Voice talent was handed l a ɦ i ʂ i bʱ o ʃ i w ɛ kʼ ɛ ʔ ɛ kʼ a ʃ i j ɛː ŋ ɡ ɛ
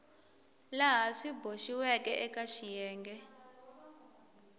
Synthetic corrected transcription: l a ɦ a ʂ i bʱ o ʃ i w ɛ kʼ ɛ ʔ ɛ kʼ a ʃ i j ɛː ŋ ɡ ɛ